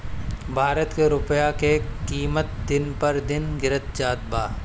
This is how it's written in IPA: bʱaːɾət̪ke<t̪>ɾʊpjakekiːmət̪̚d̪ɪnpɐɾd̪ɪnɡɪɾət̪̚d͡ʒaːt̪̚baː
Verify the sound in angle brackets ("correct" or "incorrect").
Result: incorrect